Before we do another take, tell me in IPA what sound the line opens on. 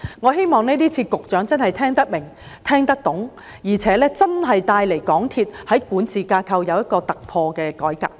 ŋ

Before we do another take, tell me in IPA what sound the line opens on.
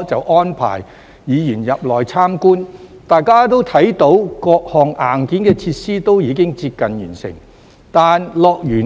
t͡s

